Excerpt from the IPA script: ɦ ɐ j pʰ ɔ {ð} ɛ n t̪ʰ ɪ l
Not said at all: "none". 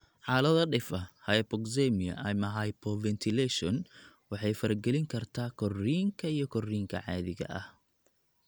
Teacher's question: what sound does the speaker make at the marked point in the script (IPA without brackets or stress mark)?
v